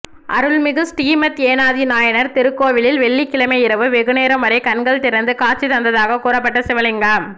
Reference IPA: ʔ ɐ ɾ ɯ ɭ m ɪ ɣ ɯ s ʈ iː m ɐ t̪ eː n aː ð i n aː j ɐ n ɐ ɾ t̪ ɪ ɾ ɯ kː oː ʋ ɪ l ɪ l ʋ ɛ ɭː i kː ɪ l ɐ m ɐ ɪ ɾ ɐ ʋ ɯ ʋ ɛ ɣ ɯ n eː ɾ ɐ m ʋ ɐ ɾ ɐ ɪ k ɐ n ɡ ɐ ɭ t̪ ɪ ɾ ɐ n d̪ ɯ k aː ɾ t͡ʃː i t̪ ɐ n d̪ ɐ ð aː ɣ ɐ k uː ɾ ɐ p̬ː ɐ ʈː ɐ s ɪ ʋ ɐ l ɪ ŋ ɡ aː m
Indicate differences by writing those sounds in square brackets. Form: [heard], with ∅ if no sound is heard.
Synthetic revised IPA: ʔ ɐ ɾ ɯ ɭ m ɪ ɣ ɯ s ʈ iː m ɐ t̪ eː n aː ð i n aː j ɐ n ɐ ɾ t̪ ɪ ɾ ɯ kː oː ʋ ɪ l ɪ l ʋ ɛ ɭː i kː ɪ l ɐ m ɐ ɪ ɾ ɐ ʋ ɯ ʋ ɛ ɣ ɯ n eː ɾ ɐ m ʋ ɐ ɾ ɐ ɪ k ɐ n ɡ ɐ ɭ t̪ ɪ ɾ ɐ n d̪ ɯ k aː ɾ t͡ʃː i t̪ ɐ n d̪ ɐ ð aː ɣ ɐ k uː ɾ ɐ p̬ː ɐ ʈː ɐ s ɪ ʋ ɐ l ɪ ŋ ɡ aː m